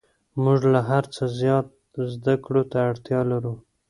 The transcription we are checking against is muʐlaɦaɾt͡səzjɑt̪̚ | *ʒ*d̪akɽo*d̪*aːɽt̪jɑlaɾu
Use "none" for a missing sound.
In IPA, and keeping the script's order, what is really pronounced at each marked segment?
z, t̪

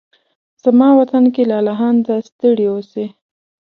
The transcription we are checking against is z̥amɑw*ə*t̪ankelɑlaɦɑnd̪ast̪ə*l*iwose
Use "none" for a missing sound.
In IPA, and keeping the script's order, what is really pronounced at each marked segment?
a, ɽ

